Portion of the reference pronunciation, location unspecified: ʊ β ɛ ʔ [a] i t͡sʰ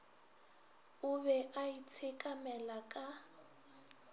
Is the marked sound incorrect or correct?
correct